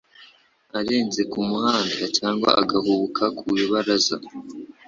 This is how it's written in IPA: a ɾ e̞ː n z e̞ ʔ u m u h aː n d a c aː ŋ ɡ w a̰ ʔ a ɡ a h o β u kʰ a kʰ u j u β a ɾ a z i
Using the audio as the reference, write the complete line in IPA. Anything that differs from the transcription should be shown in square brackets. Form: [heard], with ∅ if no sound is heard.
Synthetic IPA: a ɾ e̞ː n z e̞ [k] u m u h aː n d a c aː ŋ ɡ w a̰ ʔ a ɡ a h [u] β u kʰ a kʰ u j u β a ɾ a z [a]

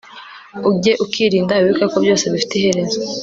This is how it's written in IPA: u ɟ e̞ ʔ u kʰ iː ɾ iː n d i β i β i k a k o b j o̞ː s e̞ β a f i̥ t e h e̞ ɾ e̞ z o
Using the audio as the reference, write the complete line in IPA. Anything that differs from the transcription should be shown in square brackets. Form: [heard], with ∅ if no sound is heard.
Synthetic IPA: u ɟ e̞ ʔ u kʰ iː ɾ iː n d [a] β i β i k a k o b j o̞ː s e̞ β [i] f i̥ t e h e̞ ɾ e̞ z o

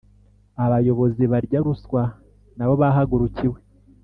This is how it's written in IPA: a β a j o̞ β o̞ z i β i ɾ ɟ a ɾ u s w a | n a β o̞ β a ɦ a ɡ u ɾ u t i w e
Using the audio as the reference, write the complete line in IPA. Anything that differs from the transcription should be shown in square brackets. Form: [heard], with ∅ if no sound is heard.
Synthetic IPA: a β a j o̞ β o̞ z i β [a] ɾ ɟ a ɾ u s w a | n a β o̞ β a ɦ a ɡ u ɾ u [c] i w e

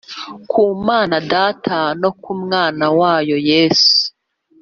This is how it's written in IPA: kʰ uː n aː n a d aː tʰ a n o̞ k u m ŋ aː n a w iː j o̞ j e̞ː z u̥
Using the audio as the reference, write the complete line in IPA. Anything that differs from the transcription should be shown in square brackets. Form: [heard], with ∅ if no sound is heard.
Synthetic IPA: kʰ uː [m] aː n a d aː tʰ a n o̞ k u m ŋ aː n a w [aː] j o̞ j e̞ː [s] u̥

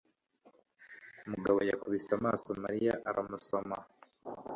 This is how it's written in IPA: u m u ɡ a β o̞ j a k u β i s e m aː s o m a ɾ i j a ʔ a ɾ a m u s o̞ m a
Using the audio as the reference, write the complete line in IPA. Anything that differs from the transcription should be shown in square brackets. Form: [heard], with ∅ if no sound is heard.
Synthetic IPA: u m u ɡ a β o̞ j a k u β i s [a] m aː s o m a ɾ i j a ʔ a ɾ a m u s o̞ m a

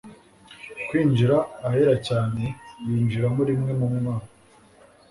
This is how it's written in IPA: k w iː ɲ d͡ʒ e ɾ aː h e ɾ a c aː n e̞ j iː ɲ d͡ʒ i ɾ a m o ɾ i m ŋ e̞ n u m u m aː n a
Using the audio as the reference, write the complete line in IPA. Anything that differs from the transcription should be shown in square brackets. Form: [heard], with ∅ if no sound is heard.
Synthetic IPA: k w iː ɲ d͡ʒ [i] ɾ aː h e ɾ a c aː n e̞ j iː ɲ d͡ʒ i ɾ a m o ɾ i m ŋ e̞ [m] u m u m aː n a

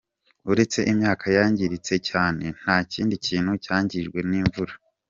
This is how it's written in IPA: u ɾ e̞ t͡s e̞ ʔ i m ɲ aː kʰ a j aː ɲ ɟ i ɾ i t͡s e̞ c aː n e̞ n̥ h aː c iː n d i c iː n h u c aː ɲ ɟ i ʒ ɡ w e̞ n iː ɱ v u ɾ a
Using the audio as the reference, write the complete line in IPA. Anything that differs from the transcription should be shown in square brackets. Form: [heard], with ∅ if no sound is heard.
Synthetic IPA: u ɾ e̞ t͡s e̞ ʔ i m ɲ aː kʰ a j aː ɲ ɟ i ɾ i t͡s e̞ c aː n e̞ n̥ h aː c iː n d i c iː n h u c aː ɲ ɟ i ʒ ɡ w e̞ n iː ɱ v u ɾ a

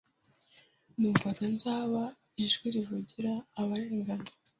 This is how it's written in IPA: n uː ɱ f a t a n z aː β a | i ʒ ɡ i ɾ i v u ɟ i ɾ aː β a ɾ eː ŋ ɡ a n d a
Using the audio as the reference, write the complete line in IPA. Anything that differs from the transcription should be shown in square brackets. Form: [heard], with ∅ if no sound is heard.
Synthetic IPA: n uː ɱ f a t a n z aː β a | i ʒ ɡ i ɾ i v u ɟ i ɾ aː β a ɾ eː ŋ ɡ a n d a

